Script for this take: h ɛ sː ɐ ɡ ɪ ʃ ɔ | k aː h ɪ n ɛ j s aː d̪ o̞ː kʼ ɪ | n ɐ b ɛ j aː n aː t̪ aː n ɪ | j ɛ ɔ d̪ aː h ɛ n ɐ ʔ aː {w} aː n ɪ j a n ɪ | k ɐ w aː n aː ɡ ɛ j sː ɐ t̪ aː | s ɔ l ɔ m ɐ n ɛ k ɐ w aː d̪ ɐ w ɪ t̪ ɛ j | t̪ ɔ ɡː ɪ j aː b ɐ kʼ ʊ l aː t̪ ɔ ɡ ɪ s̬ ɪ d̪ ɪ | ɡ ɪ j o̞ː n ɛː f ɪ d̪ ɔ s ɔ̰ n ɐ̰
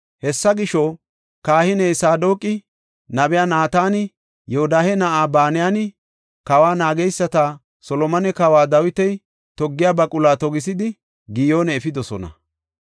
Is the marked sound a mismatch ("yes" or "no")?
yes